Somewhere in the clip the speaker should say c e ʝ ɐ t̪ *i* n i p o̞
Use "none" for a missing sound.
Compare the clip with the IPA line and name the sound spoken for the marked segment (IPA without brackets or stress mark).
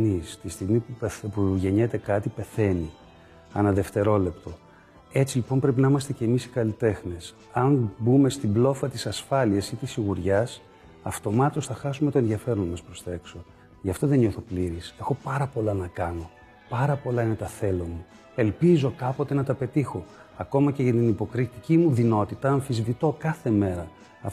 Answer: i